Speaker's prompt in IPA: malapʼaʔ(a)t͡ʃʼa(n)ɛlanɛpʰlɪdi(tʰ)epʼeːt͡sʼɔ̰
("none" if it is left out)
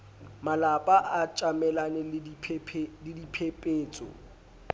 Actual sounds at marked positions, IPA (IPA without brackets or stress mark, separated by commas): a, m, pʰ